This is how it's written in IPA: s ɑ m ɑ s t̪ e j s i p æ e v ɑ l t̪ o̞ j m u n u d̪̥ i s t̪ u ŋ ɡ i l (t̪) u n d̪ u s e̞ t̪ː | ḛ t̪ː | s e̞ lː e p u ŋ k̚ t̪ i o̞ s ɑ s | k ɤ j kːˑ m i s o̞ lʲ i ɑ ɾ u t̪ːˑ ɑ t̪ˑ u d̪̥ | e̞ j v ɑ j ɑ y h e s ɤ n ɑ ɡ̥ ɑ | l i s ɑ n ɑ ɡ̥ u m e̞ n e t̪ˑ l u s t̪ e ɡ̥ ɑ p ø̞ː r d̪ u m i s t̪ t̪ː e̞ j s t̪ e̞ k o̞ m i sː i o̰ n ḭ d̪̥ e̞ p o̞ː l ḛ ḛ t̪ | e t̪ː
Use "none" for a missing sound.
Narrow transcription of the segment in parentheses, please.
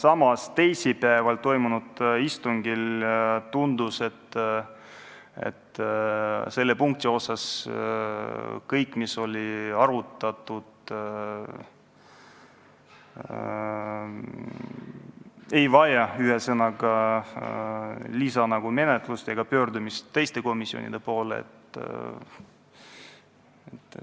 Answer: t̪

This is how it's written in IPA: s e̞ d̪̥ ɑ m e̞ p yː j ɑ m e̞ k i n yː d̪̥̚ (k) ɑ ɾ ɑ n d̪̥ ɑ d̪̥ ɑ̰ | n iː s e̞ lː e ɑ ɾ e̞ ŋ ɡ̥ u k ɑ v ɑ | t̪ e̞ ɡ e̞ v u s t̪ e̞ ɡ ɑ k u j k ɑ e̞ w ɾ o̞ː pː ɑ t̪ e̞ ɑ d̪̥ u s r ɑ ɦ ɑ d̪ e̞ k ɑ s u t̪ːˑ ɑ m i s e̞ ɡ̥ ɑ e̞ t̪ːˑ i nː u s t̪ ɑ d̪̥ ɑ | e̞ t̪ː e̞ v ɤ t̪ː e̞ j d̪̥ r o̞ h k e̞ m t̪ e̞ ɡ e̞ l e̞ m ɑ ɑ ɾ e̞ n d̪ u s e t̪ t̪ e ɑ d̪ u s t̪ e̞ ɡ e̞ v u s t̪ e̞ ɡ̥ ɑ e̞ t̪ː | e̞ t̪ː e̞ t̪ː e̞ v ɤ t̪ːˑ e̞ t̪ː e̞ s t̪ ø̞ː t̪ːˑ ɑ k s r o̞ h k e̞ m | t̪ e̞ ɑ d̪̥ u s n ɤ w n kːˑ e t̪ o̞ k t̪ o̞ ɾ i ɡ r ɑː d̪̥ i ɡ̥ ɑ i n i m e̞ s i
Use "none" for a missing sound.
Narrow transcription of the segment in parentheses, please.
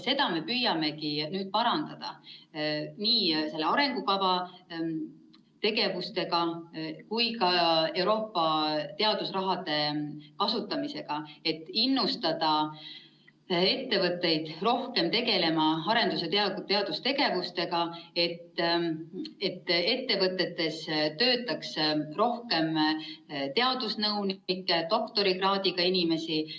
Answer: p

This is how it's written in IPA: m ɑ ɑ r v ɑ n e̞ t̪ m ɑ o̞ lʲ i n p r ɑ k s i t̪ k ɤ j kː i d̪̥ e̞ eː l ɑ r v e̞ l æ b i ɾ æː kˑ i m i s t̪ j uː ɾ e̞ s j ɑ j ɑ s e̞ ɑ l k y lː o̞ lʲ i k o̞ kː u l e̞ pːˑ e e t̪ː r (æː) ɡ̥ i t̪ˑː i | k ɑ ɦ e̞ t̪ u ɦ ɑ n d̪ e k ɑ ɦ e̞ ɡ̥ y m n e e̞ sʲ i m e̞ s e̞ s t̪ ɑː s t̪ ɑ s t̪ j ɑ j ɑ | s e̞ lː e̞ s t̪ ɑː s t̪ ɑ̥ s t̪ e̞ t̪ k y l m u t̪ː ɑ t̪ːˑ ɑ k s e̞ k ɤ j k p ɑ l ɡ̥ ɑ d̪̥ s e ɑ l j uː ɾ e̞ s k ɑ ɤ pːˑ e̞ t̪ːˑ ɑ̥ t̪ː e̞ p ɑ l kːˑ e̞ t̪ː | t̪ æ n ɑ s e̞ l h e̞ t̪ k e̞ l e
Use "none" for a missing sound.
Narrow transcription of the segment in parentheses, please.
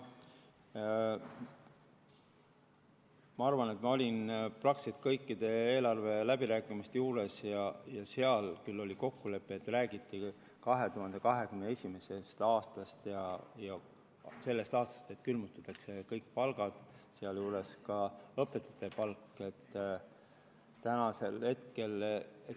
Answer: æː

